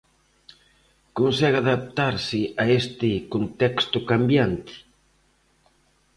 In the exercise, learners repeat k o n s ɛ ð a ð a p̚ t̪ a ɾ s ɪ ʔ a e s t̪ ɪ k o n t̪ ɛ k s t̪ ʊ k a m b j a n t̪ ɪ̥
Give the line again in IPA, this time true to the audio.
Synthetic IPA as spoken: k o n s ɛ ɣ a ð a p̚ t̪ a ɾ s ɪ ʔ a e s t̪ ɪ k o n t̪ ɛ k s t̪ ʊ k a m b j a n t̪ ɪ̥